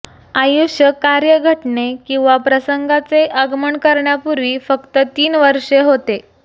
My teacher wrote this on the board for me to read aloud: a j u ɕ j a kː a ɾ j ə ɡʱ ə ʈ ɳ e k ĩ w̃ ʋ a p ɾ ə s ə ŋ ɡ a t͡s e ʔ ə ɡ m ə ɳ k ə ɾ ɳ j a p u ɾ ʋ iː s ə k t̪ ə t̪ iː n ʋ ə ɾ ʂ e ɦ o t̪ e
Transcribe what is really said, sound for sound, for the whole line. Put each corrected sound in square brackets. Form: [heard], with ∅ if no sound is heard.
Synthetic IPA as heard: a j u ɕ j [ə] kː a ɾ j ə ɡʱ ə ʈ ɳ e k ĩ w̃ ʋ a p ɾ ə s ə ŋ ɡ a t͡s e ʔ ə ɡ m ə ɳ k ə ɾ ɳ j a p u ɾ ʋ iː [f] ə k t̪ ə t̪ iː n ʋ ə ɾ ʂ e ɦ o t̪ e